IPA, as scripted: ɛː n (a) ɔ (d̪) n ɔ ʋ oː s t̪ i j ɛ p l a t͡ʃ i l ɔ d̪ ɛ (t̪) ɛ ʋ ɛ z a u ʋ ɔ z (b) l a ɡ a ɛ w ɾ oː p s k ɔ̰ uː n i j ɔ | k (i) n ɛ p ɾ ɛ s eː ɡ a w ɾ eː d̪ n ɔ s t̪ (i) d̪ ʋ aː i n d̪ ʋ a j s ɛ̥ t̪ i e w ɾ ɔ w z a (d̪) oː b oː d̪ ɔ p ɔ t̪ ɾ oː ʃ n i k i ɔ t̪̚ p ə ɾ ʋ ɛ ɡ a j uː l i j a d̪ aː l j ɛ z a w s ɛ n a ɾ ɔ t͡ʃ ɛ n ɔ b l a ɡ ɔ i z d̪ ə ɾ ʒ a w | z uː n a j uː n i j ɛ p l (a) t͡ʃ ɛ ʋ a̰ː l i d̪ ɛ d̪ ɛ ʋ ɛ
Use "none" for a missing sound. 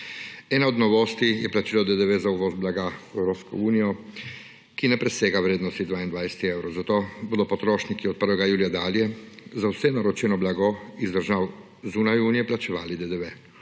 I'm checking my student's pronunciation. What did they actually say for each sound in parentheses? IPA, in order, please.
a, d̪, d̪, b, i, i, t̪, a

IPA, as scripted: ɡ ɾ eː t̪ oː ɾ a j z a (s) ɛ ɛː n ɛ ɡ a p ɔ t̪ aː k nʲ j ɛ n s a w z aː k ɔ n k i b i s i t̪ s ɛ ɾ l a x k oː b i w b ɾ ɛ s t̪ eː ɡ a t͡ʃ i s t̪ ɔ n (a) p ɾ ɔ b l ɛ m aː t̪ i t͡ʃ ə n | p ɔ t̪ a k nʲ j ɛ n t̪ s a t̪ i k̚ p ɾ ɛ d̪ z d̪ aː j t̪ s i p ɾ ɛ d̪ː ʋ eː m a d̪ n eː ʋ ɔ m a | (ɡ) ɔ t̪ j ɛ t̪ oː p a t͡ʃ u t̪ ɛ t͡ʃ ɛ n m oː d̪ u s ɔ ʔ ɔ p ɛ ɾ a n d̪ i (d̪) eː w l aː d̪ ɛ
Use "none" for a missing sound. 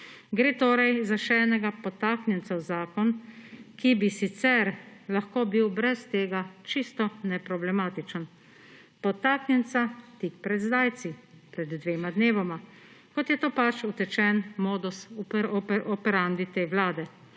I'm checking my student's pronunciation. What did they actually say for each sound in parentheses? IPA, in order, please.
ʃ, ɛ, k, t̪

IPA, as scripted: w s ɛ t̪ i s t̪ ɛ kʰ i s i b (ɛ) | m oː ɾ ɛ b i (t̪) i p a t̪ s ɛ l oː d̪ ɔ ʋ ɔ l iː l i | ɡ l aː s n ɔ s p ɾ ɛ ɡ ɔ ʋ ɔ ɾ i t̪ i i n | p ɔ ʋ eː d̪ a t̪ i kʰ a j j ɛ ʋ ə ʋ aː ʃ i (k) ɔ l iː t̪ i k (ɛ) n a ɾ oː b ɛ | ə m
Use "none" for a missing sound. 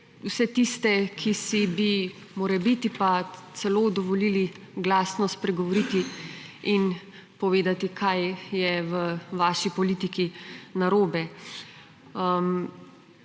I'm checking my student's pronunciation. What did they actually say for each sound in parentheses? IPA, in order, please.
i, t̪, p, i

